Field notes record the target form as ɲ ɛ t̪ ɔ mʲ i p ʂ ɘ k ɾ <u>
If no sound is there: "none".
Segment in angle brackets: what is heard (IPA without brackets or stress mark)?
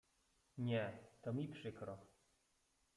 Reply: ɔ